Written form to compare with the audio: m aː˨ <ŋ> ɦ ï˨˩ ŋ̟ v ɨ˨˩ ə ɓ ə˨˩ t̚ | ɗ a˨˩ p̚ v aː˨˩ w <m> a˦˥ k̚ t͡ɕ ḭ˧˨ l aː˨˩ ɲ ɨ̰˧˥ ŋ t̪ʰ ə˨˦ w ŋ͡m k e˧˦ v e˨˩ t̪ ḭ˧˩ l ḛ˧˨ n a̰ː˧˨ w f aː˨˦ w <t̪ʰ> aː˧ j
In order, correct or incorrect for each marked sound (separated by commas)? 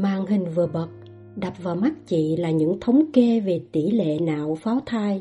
correct, correct, correct